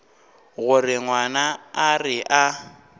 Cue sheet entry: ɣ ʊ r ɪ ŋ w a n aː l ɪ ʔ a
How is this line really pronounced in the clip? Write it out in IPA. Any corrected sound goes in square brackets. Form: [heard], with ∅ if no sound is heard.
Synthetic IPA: ɣ ʊ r ɪ ŋ w a n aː [r] ɪ ʔ a